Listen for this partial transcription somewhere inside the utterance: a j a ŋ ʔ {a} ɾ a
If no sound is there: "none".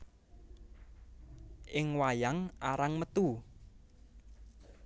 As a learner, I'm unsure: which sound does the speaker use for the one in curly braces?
a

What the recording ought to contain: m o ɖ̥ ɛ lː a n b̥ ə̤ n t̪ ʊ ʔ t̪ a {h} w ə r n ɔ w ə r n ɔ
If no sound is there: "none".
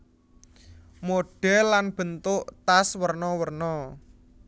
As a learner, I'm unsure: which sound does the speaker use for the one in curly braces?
s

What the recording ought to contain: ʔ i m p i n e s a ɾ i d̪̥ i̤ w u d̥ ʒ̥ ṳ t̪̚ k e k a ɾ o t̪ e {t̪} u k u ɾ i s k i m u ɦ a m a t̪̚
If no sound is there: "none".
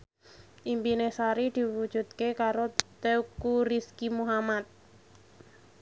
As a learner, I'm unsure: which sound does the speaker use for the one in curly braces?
none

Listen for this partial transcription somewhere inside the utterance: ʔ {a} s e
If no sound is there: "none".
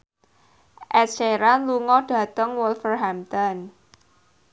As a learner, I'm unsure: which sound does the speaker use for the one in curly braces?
ɛ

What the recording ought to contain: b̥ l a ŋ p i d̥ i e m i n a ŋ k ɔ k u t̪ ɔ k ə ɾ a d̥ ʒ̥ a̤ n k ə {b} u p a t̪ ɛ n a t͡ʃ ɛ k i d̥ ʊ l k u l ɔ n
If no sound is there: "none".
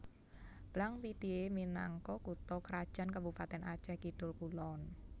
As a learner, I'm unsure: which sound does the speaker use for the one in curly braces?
b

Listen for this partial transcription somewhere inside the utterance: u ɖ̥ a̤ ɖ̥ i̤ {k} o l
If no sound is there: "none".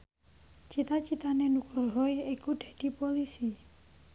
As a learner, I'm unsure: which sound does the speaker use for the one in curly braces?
p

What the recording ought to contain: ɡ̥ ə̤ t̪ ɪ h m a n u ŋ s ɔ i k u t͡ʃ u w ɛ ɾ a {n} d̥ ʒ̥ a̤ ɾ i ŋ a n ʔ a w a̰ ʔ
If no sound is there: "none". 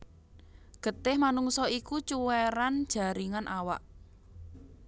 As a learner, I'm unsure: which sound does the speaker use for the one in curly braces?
n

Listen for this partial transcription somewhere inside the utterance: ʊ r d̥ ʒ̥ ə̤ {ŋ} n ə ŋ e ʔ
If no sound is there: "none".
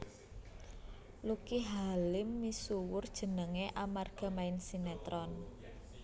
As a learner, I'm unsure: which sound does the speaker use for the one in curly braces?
none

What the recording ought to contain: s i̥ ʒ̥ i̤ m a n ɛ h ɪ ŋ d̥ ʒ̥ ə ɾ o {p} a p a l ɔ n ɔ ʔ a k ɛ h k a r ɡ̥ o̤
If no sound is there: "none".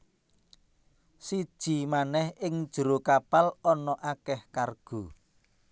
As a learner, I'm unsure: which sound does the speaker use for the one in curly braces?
k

